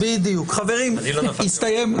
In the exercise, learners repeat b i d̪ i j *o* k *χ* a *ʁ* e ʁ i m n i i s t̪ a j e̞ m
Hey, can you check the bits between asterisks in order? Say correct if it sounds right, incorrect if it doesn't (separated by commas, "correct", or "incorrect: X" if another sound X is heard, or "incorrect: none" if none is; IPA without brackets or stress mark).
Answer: incorrect: u, correct, incorrect: v